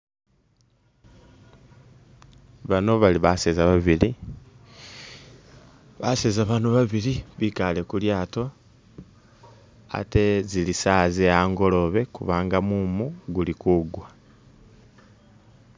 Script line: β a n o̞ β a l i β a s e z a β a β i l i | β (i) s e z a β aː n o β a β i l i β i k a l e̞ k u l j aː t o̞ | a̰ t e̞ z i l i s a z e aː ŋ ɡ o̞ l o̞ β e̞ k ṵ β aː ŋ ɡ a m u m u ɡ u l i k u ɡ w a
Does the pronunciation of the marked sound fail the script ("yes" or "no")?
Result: yes